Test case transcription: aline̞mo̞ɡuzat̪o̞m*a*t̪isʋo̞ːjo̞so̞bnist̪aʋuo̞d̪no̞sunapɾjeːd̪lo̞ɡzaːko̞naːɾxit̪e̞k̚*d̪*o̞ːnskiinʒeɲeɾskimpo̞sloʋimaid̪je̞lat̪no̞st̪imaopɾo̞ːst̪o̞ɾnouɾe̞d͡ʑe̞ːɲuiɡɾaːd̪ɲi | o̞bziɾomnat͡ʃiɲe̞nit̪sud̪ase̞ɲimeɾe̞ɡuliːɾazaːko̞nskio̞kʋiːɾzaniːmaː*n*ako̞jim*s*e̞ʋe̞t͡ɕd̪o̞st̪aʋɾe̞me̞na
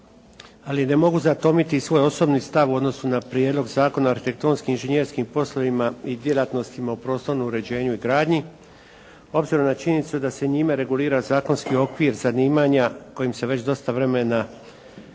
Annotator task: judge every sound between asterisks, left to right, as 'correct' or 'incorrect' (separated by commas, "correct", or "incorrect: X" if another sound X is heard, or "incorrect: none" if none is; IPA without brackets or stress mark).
incorrect: i, incorrect: t̪, incorrect: ɲ, correct